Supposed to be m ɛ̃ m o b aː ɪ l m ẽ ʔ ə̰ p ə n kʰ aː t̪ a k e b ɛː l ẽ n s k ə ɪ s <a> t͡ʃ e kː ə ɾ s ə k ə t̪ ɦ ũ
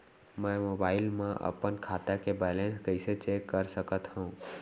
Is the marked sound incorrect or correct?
incorrect